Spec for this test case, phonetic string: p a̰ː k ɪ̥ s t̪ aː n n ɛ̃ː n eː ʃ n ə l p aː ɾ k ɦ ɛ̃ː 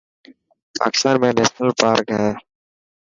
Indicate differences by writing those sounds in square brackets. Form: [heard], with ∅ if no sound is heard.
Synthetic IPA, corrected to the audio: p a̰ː k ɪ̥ s t̪ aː n [m] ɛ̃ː n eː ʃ n ə l p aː ɾ k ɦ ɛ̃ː